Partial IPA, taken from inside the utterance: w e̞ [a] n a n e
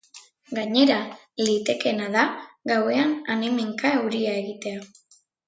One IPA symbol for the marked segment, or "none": a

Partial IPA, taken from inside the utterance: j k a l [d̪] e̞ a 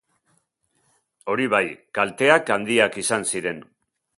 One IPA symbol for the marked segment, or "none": t̪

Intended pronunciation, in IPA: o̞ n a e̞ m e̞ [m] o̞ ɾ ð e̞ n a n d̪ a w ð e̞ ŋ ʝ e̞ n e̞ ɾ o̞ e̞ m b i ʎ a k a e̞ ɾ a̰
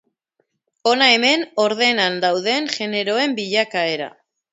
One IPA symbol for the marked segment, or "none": n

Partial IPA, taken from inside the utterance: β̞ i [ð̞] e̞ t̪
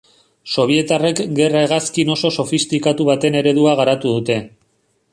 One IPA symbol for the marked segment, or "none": none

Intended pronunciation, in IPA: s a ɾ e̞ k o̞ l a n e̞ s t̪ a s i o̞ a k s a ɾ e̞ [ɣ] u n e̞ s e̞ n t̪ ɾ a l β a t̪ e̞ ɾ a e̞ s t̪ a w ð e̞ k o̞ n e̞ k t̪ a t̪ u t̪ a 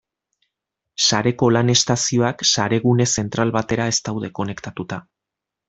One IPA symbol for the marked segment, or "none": ɣ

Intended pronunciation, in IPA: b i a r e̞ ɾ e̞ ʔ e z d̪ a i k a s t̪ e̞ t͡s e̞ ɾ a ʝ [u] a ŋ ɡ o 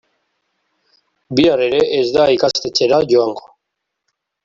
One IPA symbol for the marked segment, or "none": o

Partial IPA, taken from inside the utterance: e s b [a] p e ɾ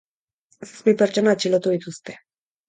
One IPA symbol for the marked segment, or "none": i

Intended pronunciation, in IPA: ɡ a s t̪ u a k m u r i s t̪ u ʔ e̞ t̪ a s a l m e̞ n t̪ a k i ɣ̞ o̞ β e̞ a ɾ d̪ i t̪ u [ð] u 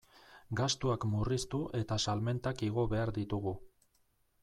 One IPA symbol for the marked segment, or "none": ɣ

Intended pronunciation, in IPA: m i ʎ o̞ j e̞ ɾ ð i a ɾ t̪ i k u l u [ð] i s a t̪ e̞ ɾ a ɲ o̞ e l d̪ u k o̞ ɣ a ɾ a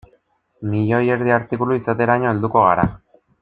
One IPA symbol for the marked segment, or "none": none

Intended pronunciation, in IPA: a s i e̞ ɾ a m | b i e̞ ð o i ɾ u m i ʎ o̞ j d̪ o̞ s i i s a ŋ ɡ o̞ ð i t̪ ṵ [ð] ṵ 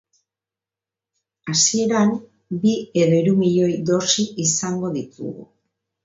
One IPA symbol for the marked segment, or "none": ɣ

